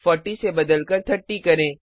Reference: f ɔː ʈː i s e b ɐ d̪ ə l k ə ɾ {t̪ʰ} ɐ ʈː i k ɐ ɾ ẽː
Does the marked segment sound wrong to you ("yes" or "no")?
no